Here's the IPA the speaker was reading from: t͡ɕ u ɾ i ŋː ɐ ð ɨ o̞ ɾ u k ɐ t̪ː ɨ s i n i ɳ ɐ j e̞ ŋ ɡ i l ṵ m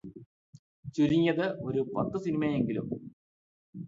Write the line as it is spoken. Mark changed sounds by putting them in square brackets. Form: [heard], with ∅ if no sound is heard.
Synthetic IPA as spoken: t͡ɕ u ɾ i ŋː ɐ ð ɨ o̞ ɾ u [p] ɐ t̪ː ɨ s i n i [m] ɐ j e̞ ŋ ɡ i l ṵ m